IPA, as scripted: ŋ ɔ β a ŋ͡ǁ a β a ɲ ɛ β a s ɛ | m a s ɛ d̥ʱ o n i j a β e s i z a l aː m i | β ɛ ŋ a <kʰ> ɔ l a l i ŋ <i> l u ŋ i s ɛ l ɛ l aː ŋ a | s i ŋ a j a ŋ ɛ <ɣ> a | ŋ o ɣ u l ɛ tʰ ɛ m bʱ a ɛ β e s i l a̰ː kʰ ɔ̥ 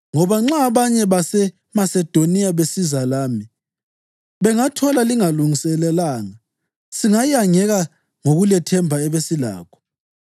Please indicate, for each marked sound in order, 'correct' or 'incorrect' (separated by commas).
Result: incorrect, incorrect, correct